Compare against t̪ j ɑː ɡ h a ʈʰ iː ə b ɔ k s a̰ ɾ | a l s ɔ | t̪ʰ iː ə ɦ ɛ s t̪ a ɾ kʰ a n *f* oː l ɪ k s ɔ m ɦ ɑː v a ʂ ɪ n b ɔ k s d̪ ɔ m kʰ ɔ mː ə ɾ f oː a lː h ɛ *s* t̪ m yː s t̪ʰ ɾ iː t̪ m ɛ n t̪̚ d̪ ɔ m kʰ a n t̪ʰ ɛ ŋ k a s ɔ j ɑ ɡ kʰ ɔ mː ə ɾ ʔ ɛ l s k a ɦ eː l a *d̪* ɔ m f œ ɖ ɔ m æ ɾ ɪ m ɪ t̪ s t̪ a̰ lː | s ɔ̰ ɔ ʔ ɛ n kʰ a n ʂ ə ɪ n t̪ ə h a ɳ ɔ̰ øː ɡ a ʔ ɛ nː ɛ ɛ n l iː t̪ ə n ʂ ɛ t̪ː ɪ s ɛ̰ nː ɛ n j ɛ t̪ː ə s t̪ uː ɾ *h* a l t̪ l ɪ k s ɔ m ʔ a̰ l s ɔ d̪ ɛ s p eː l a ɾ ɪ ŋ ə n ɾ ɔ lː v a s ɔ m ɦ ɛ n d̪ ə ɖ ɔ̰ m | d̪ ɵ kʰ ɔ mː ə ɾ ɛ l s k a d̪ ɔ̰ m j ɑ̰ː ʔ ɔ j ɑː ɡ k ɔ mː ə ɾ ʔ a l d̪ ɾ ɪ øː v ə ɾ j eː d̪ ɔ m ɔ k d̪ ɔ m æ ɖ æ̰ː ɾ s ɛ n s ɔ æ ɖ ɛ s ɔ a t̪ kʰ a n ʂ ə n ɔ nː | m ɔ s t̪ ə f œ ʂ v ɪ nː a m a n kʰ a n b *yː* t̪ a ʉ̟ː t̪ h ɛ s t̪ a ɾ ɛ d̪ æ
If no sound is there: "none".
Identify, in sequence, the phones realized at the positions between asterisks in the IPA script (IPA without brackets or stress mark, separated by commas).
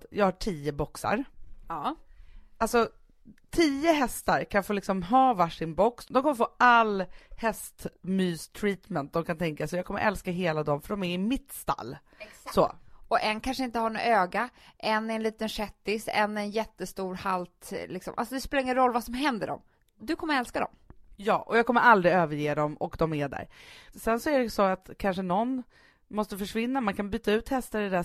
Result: f, s, d̪, h, yː